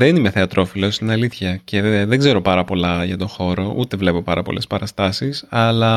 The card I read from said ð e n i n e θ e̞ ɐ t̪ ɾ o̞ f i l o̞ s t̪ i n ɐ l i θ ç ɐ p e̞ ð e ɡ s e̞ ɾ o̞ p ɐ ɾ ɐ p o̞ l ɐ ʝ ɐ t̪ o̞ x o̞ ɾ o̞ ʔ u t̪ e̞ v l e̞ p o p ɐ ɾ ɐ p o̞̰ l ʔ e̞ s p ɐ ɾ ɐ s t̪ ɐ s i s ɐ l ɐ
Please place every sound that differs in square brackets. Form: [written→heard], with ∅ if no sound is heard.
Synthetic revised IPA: ð e n i [n→m] e θ e̞ ɐ t̪ ɾ o̞ f i l o̞ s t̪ i n ɐ l i θ ç ɐ [p→c] e̞ ð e ɡ [s→z] e̞ ɾ o̞ p ɐ ɾ ɐ p o̞ l ɐ ʝ ɐ t̪ o̞ x o̞ ɾ o̞ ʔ u t̪ e̞ v l e̞ p o p ɐ ɾ ɐ p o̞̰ l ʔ e̞ s p ɐ ɾ ɐ s t̪ ɐ s i s ɐ l ɐ